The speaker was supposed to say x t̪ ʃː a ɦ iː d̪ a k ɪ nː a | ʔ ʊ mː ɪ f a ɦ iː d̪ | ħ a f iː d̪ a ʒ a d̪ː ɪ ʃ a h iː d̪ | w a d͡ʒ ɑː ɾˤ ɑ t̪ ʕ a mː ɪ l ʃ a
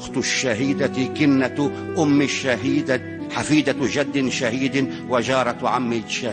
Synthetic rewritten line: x t̪ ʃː a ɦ iː d̪ a k ɪ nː a | ʔ ʊ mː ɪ ʃ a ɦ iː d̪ | ħ a f iː d̪ a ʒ a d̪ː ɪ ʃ a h iː d̪ | w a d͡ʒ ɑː ɾˤ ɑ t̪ ʕ a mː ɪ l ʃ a